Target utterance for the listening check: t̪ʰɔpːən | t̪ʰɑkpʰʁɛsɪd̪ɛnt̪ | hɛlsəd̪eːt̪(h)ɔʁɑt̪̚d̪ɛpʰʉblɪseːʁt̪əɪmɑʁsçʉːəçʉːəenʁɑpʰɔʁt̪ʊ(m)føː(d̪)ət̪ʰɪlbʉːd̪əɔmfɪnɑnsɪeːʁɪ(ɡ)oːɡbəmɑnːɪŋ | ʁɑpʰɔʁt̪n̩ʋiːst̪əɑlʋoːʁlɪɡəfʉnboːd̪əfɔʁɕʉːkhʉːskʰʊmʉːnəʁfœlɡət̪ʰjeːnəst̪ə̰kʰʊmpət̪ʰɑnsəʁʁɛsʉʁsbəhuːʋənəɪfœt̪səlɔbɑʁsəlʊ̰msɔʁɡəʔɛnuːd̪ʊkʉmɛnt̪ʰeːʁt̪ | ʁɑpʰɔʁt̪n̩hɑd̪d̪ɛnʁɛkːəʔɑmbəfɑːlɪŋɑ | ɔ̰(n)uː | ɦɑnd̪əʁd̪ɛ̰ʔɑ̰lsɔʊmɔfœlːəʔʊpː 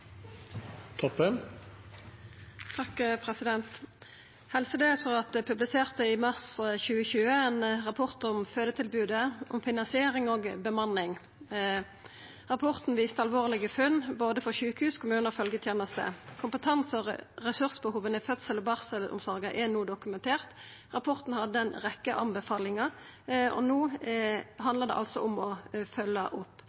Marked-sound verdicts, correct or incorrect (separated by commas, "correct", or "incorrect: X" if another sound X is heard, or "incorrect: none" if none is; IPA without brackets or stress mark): incorrect: f, correct, correct, incorrect: ŋ, correct